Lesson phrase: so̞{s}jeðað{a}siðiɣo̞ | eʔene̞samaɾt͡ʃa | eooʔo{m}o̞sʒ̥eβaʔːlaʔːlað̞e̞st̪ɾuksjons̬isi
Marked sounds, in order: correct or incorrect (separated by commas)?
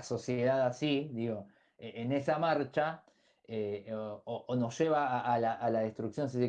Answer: correct, correct, incorrect